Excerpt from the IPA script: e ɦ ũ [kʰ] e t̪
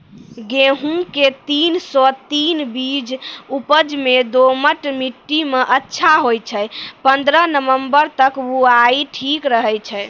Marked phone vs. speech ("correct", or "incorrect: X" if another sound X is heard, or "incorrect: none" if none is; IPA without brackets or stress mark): incorrect: k